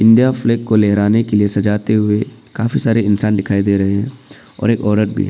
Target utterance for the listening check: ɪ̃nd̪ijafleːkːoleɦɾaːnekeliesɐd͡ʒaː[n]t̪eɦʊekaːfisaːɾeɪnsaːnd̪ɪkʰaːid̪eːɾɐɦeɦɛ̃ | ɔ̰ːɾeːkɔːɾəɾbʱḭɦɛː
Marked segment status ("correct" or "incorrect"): incorrect